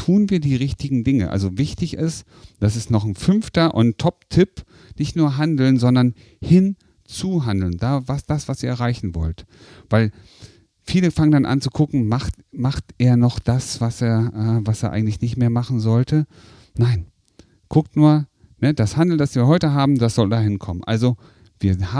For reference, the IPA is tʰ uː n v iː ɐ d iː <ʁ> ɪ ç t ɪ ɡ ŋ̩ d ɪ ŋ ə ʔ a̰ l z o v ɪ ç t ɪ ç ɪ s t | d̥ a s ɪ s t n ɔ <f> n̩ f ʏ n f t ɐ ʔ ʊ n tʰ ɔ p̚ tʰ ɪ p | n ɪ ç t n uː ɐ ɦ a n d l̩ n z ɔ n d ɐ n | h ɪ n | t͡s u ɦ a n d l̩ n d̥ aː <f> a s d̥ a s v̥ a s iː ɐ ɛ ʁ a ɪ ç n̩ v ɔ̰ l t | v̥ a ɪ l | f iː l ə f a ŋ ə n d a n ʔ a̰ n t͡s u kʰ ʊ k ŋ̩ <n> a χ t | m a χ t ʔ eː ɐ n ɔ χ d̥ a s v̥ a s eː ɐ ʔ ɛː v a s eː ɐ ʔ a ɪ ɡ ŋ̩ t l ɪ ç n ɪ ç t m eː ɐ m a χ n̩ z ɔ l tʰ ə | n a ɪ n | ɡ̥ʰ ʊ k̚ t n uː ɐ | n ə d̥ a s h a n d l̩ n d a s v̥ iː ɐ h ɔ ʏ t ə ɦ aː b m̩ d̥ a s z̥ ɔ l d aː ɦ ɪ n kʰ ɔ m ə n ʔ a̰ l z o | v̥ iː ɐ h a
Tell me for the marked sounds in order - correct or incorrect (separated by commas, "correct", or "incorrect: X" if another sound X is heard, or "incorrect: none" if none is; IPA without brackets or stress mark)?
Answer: correct, incorrect: χ, incorrect: v, incorrect: m